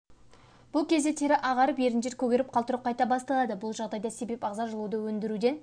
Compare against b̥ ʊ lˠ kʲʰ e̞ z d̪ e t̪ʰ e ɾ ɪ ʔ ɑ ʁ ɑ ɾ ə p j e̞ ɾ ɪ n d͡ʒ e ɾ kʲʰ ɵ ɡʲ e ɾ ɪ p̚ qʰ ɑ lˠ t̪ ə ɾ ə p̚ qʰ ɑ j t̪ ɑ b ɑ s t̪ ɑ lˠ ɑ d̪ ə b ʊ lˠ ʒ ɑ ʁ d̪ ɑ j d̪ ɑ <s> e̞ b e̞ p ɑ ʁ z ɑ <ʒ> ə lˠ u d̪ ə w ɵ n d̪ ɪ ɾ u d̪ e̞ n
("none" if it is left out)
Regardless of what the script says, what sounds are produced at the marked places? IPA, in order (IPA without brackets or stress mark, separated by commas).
s, ʒ